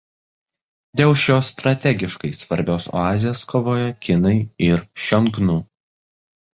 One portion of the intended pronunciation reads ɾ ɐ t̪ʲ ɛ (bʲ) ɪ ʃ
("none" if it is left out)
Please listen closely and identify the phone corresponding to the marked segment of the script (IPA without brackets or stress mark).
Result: ɡʲ